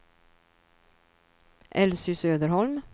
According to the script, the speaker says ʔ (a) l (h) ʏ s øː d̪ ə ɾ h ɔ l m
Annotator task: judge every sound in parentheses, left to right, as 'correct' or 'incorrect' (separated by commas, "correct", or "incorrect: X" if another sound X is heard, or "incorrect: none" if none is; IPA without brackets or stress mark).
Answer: incorrect: ɛ, incorrect: s